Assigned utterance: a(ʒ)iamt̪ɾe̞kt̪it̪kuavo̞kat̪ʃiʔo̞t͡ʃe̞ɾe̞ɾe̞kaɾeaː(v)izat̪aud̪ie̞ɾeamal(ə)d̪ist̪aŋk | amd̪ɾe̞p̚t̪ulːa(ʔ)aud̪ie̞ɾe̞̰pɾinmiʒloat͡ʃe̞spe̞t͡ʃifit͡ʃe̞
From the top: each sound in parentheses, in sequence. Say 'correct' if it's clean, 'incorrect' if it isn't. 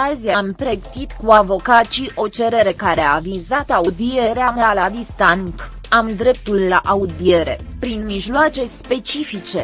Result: incorrect: z, correct, incorrect: a, correct

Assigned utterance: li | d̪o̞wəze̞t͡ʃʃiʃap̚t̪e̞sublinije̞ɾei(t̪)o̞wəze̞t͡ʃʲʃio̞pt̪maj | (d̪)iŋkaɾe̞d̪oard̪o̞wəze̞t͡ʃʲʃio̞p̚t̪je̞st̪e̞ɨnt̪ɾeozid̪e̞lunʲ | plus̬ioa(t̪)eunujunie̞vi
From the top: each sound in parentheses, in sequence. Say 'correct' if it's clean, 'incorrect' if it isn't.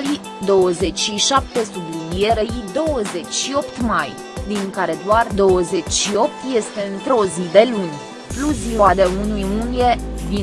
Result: incorrect: d̪, correct, incorrect: d̪

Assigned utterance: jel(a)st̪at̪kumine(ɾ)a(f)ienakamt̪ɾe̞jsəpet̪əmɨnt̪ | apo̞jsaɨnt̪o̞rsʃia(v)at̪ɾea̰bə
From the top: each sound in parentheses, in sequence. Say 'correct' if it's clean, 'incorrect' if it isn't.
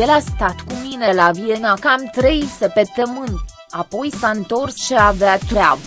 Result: correct, incorrect: l, incorrect: v, correct

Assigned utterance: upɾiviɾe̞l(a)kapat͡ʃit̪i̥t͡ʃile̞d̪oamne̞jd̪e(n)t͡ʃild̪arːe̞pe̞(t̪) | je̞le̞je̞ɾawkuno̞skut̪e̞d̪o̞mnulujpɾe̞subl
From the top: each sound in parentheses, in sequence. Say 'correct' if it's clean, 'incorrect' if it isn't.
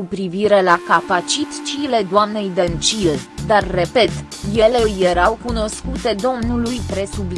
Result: correct, correct, correct

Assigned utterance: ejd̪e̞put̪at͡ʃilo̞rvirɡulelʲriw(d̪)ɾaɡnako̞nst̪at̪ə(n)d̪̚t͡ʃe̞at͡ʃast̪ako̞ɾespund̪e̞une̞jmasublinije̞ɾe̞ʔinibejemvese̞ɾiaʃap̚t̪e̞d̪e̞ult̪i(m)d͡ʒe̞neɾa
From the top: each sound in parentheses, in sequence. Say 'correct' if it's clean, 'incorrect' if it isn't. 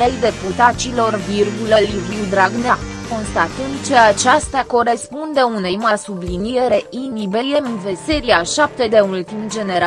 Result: correct, correct, correct

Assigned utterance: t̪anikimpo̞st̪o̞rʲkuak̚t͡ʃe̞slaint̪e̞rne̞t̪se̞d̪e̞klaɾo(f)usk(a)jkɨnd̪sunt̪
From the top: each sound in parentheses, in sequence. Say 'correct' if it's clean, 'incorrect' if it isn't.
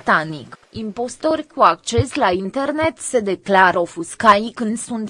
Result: correct, correct

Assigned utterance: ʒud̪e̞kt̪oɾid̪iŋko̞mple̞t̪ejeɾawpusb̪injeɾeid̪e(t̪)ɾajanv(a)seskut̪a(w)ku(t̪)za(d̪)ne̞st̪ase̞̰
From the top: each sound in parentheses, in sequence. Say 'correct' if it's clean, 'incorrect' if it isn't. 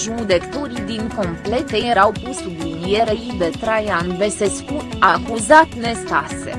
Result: correct, incorrect: e, incorrect: none, incorrect: none, incorrect: t̪

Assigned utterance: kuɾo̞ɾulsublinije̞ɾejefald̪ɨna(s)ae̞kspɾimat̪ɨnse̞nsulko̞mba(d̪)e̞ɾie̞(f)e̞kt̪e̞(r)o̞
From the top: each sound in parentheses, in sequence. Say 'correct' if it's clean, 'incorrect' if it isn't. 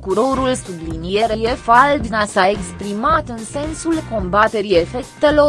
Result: correct, incorrect: t̪, correct, incorrect: l

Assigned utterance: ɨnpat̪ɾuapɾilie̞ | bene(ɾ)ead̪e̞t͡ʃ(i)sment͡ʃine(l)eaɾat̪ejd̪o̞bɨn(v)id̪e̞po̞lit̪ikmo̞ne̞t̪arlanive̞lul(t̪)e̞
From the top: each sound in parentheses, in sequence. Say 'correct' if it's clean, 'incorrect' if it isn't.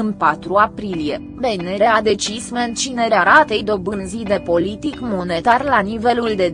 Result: correct, correct, incorrect: ɾ, incorrect: z, incorrect: d̪

